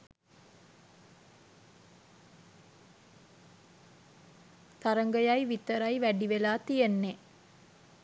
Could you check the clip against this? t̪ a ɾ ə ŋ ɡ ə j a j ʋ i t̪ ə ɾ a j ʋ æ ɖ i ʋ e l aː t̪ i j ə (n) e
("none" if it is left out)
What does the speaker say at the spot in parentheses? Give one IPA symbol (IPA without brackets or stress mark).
nː